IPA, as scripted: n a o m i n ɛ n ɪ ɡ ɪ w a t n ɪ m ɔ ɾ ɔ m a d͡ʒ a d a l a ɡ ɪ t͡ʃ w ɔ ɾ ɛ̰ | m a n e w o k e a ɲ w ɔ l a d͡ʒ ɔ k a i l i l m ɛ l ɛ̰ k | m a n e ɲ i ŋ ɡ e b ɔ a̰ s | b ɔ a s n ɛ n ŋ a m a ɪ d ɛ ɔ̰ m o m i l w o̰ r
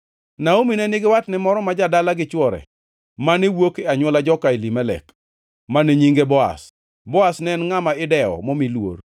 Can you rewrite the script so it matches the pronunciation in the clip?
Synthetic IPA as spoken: n a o m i n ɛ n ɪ ɡ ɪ w a t n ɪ m ɔ ɾ ɔ m a d͡ʒ a d a l a ɡ ɪ t͡ʃ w ɔ ɾ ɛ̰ | m a n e w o k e a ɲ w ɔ l a d͡ʒ ɔ k a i l i m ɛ l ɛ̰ k | m a n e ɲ i ŋ ɡ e b ɔ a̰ s | b ɔ a s n ɛ n ŋ a m a ɪ d ɛ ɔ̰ m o m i l w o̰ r

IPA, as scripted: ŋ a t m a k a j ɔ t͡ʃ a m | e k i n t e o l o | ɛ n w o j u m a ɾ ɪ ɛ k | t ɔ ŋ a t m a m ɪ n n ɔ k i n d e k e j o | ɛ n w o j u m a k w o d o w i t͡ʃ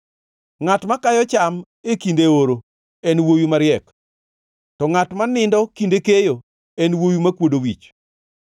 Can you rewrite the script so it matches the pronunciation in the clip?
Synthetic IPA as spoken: ŋ a t m a k a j ɔ t͡ʃ a m | e k i n d e o ɾ o | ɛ n w o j u m a ɾ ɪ ɛ k | t ɔ ŋ a t m a n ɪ n d ɔ k i n d e k e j o | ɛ n w o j u m a k w o d o w i t͡ʃ

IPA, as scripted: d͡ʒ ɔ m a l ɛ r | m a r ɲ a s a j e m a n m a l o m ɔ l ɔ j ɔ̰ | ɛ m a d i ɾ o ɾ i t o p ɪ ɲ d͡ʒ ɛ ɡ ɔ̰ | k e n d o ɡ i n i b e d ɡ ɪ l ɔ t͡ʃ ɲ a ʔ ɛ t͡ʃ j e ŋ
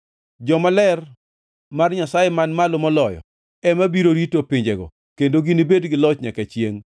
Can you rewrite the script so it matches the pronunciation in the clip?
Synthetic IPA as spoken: d͡ʒ ɔ m a l ɛ r | m a r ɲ a s a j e m a n m a l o m ɔ l ɔ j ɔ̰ | ɛ m a b i ɾ o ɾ i t o p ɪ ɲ d͡ʒ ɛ ɡ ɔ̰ | k e n d o ɡ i n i b e d ɡ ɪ l ɔ t͡ʃ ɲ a k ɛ t͡ʃ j e ŋ

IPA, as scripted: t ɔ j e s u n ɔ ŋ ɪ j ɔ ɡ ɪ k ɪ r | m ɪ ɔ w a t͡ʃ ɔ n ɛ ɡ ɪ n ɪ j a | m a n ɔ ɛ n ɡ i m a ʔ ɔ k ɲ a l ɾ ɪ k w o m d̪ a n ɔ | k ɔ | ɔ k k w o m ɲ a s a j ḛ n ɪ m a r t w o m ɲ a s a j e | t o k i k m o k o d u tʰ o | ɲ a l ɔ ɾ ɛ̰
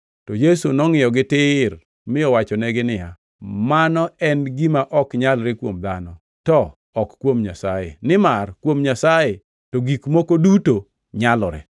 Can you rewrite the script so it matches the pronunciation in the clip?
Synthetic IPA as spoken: t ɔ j e s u n ɔ ŋ ɪ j ɔ ɡ ɪ t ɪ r | m ɪ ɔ w a t͡ʃ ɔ n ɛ ɡ ɪ n ɪ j a | m a n ɔ ɛ n ɡ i m a ʔ ɔ k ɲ a l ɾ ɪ k w o m d̪ a n ɔ | t ɔ | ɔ k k w o m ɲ a s a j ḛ n ɪ m a r k w o m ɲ a s a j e | t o ɡ i k m o k o d u t o | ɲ a l ɔ ɾ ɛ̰

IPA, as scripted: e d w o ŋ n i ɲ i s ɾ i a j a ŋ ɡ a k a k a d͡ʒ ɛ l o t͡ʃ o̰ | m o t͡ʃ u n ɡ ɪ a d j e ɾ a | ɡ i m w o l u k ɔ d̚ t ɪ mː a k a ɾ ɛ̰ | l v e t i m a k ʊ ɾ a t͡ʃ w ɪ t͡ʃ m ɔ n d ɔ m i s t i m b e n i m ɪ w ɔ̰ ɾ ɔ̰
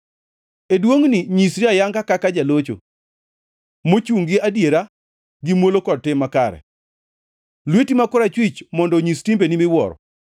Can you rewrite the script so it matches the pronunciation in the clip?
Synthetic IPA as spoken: e d w o ŋ n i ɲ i s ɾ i a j a ŋ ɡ a k a k a d͡ʒ a l o t͡ʃ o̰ | m o t͡ʃ u ŋ ɡ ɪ a d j e ɾ a | ɡ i m w o l o k ɔ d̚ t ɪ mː a k a ɾ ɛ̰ | l w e t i m a k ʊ ɾ a t͡ʃ w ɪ t͡ʃ m ɔ n d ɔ ɲ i s t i m b e n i m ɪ w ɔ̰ ɾ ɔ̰

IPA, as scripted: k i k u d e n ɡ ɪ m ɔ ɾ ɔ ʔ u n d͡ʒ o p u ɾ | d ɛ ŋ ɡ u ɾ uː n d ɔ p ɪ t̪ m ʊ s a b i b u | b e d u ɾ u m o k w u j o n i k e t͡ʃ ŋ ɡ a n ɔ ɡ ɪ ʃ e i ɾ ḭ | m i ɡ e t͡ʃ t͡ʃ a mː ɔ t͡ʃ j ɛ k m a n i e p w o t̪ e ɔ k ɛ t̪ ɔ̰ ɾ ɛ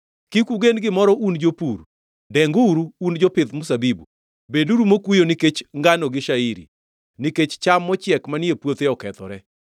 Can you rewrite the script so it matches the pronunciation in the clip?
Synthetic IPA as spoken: k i k u ɡ e n ɡ ɪ m ɔ ɾ ɔ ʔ u n d͡ʒ o p u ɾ | d ɛ ŋ ɡ u ɾ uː n d͡ʒ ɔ p ɪ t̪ m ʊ s a b i b u | b e d u ɾ u m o k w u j o n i k e t͡ʃ ŋ ɡ a n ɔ ɡ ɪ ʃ a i ɾ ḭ | n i k e t͡ʃ t͡ʃ a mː ɔ t͡ʃ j ɛ k m a n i e p w o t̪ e ɔ k ɛ t̪ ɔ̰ ɾ ɛ

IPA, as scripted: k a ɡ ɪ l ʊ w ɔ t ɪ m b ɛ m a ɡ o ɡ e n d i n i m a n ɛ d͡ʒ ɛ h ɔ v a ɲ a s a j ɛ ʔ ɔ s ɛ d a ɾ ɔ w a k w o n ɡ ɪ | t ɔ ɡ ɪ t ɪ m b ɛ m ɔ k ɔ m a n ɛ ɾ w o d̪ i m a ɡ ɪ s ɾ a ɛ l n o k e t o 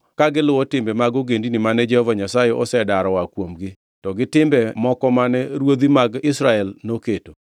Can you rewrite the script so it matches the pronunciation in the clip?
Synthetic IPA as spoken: k a ɡ ɪ l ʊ w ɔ t ɪ m b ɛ m a ɡ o ɡ e n d i n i m a n ɛ d͡ʒ ɛ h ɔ v a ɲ a s a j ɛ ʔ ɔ s ɛ d a ɾ ɔ w a k w o m ɡ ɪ | t ɔ ɡ ɪ t ɪ m b ɛ m ɔ k ɔ m a n ɛ ɾ w o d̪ i m a ɡ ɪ s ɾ a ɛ l n o k e t o

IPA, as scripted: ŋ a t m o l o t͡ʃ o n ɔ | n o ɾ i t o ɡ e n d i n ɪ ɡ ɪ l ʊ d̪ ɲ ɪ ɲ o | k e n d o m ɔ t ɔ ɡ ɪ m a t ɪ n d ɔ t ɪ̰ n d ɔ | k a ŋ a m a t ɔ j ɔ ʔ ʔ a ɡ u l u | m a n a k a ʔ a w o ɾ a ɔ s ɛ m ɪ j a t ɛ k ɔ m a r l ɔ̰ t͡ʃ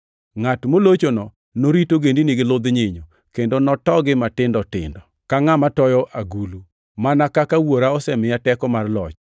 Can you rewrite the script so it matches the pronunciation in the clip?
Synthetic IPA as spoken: ŋ a t m o l o t͡ʃ o n ɔ | n o ɾ i t o ɡ e n d i n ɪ ɡ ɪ l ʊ d̪ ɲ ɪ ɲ o | k e n d o n ɔ t ɔ ɡ ɪ m a t ɪ n d ɔ t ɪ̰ n d ɔ | k a ŋ a m a t ɔ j ɔ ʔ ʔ a ɡ u l u | m a n a k a k a w o ɾ a ɔ s ɛ m ɪ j a t ɛ k ɔ m a r l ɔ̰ t͡ʃ

